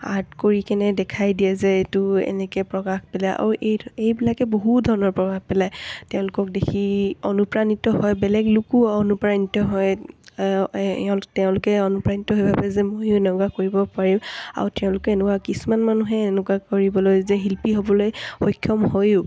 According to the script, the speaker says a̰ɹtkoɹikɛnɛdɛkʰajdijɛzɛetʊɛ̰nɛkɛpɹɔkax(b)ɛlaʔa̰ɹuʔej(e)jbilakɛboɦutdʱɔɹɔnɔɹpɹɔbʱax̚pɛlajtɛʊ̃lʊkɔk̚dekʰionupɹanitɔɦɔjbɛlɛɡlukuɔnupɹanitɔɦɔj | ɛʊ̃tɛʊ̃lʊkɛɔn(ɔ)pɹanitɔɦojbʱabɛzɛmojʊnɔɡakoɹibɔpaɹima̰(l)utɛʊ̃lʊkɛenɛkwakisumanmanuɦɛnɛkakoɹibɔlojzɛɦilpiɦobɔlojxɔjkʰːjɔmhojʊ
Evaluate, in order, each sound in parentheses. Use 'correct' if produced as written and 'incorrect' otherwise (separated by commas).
incorrect, correct, incorrect, incorrect